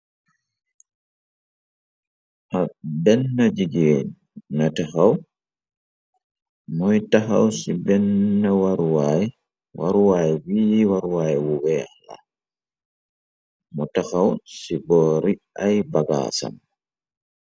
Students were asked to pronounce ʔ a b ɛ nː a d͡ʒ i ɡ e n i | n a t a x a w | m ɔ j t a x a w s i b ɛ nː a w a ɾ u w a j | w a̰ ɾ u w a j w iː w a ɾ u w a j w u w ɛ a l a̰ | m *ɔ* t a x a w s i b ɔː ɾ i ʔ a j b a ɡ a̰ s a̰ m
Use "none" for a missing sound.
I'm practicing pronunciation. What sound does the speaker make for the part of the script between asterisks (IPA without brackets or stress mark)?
ɔ